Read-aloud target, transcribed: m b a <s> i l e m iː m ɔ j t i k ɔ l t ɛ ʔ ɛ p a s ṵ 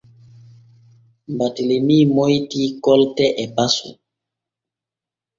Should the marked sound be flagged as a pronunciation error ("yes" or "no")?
yes